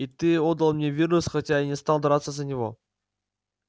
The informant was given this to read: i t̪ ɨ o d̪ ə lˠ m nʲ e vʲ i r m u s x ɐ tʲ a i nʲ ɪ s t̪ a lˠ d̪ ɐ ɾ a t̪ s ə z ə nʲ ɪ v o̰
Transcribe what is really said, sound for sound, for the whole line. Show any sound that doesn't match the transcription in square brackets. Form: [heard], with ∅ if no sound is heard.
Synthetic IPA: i t̪ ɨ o d̪ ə lˠ m nʲ e vʲ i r [n] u s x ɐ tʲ a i nʲ ɪ s t̪ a lˠ d̪ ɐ ɾ a t̪ s ə z ə nʲ ɪ v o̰